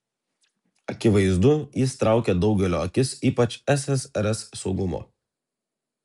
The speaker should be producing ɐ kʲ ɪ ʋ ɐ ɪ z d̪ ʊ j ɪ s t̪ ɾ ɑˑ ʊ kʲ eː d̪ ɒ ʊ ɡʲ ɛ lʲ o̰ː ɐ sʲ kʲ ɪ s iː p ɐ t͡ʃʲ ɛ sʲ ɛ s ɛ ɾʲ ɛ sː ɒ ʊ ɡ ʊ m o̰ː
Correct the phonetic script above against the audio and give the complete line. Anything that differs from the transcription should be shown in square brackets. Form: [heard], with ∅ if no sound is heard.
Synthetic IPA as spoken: ɐ kʲ ɪ ʋ ɐ ɪ z d̪ ʊ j ɪ s t̪ ɾ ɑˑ ʊ kʲ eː d̪ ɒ ʊ ɡʲ ɛ lʲ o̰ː ɐ [∅] kʲ ɪ s iː p ɐ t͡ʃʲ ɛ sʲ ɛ s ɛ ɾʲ ɛ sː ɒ ʊ ɡ ʊ m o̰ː